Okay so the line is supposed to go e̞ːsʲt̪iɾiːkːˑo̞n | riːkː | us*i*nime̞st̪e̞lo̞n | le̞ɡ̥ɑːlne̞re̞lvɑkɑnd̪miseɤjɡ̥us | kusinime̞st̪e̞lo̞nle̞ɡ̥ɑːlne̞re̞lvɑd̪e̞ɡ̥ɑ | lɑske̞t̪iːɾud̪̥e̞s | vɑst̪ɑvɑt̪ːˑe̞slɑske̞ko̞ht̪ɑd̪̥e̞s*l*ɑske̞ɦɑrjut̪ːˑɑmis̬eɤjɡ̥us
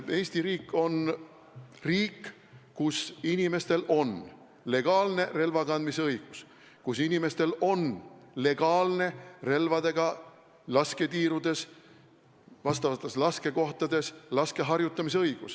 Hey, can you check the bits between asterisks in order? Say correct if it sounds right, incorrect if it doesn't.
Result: correct, correct

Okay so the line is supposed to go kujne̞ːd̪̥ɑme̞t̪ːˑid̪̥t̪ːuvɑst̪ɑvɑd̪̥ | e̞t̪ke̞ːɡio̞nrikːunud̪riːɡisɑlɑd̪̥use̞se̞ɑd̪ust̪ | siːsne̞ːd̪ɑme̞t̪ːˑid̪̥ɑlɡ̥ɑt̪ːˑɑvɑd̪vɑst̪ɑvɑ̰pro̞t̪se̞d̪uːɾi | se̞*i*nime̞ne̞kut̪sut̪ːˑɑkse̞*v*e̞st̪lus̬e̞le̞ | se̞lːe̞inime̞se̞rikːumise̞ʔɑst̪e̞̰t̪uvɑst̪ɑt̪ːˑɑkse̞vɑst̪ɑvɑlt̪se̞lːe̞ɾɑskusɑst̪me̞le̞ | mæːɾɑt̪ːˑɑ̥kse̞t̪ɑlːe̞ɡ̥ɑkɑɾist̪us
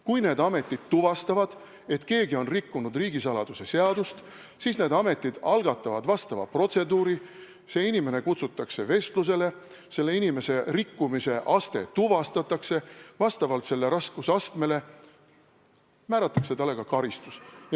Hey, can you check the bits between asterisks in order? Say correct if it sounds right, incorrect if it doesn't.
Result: correct, correct

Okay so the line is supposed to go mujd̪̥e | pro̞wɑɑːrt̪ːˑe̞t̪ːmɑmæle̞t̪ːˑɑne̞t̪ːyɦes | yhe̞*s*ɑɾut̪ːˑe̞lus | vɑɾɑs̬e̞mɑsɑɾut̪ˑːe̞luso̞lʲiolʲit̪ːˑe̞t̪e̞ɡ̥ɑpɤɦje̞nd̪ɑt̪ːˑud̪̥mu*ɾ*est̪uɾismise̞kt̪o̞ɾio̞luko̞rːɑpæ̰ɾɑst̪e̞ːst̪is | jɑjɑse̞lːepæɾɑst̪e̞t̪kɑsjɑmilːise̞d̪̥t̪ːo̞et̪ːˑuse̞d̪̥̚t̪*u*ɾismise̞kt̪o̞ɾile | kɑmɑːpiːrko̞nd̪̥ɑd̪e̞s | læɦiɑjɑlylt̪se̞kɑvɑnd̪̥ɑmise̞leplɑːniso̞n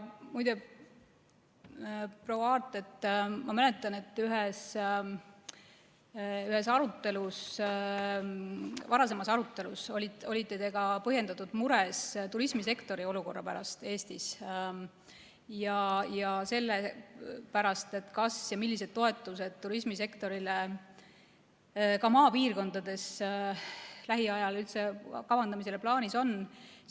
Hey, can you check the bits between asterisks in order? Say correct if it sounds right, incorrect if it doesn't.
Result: correct, correct, correct

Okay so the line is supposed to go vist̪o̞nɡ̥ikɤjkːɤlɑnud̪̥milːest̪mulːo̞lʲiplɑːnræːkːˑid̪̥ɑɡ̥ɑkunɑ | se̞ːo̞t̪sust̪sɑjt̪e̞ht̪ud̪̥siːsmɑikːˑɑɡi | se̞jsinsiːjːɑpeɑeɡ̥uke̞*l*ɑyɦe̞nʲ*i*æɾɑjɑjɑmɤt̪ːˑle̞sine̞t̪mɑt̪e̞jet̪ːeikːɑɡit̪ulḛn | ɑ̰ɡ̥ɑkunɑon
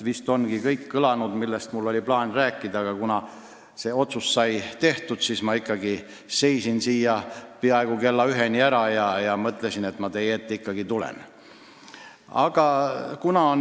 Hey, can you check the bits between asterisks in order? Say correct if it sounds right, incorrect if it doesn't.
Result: incorrect, correct

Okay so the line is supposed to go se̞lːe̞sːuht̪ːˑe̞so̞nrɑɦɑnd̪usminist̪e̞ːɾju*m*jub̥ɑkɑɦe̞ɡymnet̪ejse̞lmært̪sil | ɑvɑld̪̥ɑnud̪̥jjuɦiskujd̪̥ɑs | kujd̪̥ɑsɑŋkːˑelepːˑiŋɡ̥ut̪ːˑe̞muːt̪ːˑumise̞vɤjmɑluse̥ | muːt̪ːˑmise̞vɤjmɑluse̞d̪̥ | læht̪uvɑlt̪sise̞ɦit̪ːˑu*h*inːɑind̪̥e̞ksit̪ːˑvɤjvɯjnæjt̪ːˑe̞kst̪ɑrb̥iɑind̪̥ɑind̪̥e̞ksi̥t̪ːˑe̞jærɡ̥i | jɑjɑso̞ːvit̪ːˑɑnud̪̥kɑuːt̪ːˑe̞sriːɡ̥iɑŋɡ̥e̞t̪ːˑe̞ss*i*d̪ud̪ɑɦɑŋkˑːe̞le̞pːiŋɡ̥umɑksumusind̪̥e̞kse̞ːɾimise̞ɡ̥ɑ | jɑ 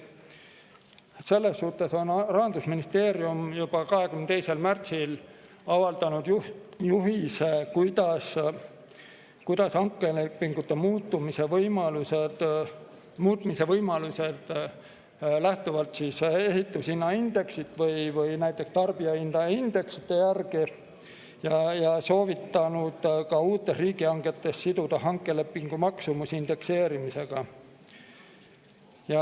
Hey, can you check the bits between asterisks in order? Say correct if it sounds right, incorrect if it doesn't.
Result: correct, incorrect, correct

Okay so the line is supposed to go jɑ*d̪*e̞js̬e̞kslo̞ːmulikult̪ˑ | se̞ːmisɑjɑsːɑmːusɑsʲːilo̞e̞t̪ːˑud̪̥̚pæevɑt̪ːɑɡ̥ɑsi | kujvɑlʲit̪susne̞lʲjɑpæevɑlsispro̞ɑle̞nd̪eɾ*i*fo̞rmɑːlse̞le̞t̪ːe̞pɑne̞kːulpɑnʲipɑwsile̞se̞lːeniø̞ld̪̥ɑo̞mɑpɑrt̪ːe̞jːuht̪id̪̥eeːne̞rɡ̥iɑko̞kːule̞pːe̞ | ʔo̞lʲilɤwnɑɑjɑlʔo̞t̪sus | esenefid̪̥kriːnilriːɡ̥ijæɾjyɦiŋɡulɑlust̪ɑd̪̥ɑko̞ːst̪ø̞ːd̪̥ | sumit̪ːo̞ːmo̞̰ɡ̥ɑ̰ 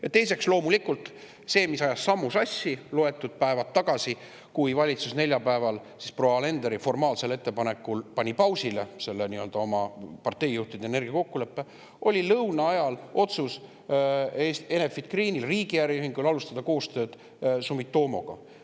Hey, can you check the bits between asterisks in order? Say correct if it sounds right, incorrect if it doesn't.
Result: incorrect, correct

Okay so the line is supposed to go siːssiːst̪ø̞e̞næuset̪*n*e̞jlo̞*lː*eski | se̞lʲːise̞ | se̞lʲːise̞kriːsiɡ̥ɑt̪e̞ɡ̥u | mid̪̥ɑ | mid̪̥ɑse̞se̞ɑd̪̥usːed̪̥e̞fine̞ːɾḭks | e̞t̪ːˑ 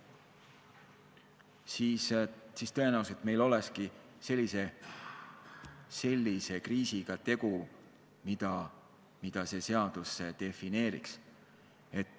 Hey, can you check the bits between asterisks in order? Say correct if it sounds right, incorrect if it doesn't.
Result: incorrect, incorrect

